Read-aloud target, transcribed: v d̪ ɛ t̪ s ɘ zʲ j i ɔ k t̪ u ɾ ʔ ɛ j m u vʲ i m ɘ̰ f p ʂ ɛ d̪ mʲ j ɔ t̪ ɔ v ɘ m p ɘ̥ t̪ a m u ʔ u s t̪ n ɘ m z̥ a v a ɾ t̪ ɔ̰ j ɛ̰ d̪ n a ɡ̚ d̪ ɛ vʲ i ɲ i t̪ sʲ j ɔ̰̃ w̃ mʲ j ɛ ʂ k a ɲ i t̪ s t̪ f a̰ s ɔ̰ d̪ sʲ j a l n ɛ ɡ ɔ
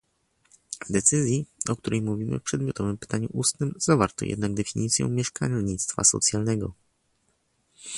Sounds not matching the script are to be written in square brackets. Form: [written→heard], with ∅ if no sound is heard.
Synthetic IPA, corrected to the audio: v d̪ ɛ t̪ s ɘ zʲ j i ɔ k t̪ u ɾ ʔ ɛ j m u vʲ i m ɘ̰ f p ʂ ɛ d̪ mʲ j ɔ t̪ ɔ v ɘ m p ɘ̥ t̪ a [m→ɲ] u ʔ u s t̪ n ɘ m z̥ a v a ɾ t̪ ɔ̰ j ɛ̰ d̪ n a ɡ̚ d̪ ɛ [vʲ→fʲ] i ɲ i t̪ sʲ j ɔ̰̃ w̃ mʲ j ɛ ʂ k a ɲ i t̪ s t̪ f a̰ s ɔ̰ [d̪→t̪] sʲ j a l n ɛ ɡ ɔ